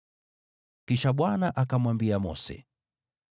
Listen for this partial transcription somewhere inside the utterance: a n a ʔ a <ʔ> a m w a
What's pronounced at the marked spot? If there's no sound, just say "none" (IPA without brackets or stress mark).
k